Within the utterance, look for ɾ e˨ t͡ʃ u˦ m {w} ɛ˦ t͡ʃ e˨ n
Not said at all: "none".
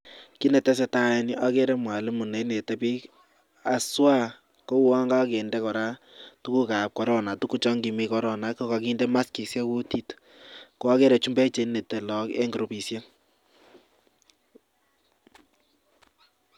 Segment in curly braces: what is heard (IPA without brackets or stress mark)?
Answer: b